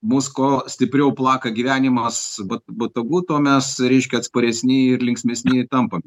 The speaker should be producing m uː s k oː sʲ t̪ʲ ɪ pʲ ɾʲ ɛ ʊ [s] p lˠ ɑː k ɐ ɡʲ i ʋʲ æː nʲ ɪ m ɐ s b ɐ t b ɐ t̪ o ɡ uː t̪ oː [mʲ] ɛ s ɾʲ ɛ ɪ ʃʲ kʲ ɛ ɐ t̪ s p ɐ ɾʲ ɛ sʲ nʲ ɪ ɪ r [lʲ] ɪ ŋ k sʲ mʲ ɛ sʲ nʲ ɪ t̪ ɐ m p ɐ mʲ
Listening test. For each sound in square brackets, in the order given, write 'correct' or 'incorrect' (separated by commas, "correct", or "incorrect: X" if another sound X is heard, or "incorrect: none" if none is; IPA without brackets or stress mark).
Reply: incorrect: none, correct, correct